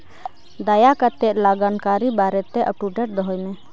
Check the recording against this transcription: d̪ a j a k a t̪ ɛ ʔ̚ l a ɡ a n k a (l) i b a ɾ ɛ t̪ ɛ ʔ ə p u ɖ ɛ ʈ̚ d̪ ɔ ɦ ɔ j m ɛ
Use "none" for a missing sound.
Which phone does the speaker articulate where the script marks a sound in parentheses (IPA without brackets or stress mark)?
ɾ